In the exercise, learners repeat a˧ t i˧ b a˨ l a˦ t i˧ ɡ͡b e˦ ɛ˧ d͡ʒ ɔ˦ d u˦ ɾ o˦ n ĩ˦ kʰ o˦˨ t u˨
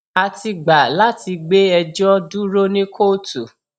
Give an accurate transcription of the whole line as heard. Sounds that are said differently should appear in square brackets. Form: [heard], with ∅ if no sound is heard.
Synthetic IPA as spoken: a˧ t i˧ [ɡ͡b] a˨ l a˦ t i˧ ɡ͡b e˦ ɛ˧ d͡ʒ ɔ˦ d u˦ ɾ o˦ n ĩ˦ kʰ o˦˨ t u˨